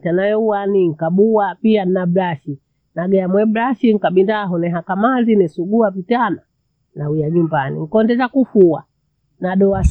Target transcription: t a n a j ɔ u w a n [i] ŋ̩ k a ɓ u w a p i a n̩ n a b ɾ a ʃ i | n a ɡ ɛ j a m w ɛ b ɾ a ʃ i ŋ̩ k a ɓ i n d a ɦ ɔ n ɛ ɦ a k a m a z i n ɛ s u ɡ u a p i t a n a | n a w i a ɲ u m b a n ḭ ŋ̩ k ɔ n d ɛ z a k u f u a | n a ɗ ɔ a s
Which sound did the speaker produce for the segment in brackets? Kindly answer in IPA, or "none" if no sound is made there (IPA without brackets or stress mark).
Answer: i